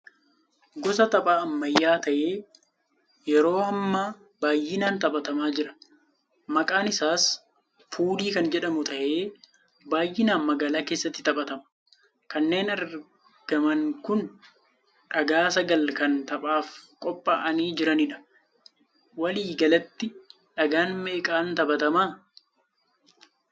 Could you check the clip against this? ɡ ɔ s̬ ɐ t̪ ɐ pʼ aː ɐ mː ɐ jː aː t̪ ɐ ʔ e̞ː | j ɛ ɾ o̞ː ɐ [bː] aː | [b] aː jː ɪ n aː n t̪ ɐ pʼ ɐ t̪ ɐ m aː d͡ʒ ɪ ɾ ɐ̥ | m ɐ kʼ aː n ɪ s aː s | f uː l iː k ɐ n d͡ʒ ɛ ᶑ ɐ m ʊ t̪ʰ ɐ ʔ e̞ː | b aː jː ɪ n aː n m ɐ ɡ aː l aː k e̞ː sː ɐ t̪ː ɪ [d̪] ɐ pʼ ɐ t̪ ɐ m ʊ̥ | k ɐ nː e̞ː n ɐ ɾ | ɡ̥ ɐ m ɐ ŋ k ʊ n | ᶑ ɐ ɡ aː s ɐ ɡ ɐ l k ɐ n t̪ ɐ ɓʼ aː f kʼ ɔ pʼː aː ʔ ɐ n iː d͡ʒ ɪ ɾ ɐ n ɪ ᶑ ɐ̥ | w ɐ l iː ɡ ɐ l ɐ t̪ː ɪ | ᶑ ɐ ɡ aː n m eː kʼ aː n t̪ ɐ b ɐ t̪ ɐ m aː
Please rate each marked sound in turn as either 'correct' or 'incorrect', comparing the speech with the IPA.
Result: incorrect, correct, incorrect

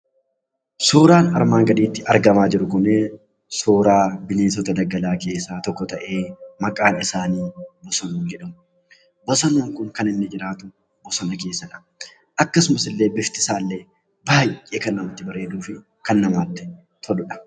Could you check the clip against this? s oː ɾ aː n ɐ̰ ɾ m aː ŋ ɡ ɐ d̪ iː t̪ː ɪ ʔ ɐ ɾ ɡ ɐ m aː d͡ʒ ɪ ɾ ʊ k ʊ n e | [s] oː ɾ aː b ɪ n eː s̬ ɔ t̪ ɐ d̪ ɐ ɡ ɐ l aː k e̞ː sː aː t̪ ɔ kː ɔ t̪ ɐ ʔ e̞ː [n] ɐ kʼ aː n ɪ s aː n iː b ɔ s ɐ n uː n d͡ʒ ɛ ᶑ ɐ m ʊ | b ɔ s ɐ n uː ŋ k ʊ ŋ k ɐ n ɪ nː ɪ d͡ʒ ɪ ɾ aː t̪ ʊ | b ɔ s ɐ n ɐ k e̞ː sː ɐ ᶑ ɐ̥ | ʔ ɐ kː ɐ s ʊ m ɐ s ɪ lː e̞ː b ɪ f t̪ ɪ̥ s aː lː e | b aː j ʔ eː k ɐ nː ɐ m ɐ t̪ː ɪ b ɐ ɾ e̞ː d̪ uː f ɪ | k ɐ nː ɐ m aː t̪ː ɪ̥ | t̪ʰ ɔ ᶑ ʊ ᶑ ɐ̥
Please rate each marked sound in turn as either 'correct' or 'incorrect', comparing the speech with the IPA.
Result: correct, incorrect

